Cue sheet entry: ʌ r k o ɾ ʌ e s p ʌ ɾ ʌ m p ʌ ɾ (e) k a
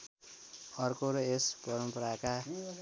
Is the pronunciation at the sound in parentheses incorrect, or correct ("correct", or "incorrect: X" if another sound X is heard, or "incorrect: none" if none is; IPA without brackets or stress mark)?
incorrect: a